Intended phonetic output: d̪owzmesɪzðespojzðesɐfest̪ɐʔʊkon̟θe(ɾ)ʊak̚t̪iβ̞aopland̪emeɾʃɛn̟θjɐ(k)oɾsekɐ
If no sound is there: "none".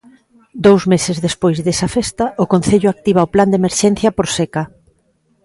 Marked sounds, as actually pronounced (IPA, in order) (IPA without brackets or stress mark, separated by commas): ʎ, p